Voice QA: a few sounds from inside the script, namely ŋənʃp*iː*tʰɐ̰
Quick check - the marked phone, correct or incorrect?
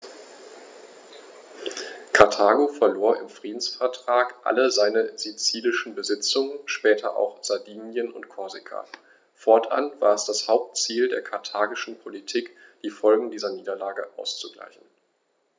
incorrect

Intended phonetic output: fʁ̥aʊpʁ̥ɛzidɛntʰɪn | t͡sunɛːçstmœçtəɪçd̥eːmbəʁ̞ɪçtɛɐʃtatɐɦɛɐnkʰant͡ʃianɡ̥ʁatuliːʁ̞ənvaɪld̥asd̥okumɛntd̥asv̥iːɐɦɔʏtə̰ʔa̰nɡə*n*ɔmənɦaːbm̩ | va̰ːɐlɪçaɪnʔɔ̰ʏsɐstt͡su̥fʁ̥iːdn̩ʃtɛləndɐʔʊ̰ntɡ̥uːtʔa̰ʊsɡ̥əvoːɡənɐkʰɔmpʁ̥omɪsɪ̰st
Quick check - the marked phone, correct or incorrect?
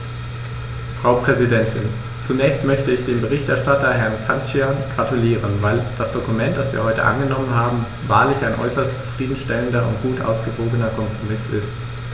correct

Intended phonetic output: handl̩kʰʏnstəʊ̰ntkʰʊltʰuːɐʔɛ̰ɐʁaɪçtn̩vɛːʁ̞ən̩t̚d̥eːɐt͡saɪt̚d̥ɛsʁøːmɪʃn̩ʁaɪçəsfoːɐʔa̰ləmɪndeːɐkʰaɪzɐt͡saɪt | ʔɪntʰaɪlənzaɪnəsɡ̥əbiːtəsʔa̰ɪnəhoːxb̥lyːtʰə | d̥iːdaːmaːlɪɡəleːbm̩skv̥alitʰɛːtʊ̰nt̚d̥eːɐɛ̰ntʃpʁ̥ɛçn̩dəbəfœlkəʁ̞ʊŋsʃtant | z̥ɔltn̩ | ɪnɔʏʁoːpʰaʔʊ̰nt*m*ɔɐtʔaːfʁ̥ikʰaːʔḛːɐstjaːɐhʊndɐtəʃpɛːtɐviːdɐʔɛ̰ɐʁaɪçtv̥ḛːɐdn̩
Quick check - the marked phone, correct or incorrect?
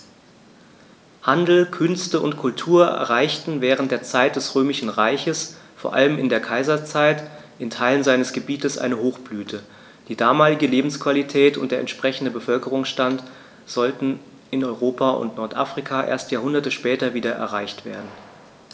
incorrect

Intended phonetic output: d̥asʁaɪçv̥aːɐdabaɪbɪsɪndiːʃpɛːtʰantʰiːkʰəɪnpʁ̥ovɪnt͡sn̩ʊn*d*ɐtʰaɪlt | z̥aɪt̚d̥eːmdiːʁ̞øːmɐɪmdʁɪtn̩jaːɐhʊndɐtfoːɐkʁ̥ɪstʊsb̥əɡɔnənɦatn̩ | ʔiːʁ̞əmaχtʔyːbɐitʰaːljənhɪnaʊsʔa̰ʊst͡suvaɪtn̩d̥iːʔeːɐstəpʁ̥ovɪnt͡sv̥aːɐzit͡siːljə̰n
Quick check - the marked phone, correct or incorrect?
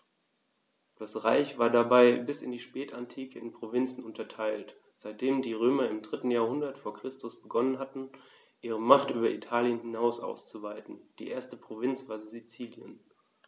incorrect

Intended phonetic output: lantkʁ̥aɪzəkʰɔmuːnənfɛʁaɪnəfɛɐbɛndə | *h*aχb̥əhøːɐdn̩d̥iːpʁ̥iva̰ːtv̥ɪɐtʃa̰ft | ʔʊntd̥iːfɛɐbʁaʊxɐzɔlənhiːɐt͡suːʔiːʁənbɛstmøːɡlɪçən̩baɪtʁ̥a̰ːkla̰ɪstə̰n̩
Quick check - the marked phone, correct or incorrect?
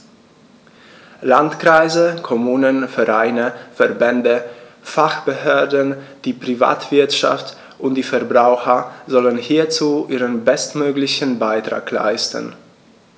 incorrect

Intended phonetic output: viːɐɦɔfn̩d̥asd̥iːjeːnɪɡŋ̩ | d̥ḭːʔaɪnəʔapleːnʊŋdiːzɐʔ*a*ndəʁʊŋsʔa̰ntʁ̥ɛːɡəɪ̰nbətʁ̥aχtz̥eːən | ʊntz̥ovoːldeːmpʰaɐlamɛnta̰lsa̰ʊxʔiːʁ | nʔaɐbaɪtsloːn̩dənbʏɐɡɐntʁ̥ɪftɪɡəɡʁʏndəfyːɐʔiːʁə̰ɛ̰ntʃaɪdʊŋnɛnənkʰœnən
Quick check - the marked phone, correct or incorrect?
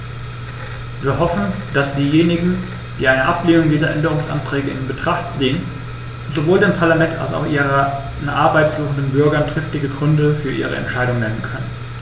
incorrect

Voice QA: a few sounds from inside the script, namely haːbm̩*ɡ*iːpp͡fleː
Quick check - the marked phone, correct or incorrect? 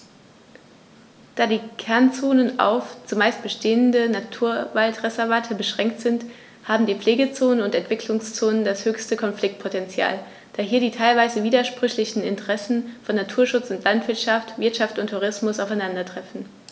incorrect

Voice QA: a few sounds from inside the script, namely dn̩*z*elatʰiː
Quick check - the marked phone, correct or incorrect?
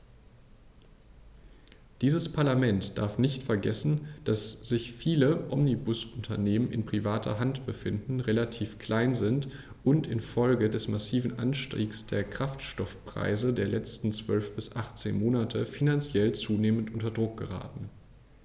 incorrect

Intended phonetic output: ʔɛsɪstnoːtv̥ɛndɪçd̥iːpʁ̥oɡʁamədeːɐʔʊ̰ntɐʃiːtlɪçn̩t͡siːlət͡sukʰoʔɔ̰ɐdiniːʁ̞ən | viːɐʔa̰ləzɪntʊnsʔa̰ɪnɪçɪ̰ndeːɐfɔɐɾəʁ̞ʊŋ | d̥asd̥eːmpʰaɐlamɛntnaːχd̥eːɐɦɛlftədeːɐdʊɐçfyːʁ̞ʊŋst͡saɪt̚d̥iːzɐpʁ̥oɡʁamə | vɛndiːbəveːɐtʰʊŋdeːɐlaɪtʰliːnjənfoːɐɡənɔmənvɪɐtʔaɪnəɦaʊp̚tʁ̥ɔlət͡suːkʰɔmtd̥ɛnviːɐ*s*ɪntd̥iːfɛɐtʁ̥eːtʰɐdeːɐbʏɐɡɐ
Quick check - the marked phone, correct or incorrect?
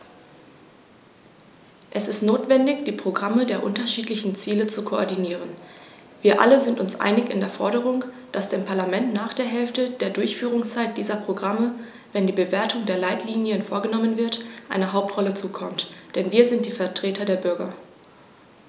incorrect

